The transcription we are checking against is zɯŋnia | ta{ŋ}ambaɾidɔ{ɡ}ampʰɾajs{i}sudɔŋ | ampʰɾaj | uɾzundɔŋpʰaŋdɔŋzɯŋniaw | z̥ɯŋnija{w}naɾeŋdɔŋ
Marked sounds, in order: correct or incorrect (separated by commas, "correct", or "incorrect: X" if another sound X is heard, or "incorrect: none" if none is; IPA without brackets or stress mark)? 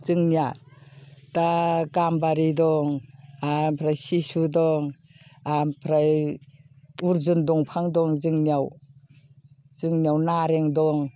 incorrect: ɡ, incorrect: ŋ, correct, correct